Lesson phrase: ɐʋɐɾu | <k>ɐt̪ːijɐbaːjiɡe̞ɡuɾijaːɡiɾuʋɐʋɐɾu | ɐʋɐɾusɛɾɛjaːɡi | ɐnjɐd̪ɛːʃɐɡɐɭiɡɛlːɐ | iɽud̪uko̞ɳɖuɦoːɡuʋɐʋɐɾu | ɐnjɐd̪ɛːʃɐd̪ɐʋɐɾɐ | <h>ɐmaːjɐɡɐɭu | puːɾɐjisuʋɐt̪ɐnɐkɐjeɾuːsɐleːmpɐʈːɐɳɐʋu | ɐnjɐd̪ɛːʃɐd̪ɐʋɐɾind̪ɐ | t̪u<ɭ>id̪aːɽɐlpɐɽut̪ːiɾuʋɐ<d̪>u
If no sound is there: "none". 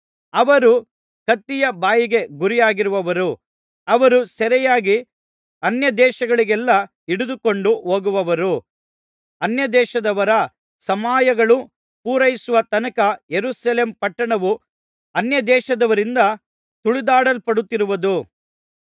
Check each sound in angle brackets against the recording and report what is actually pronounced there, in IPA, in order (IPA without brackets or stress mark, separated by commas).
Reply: k, s, ɭ, d̪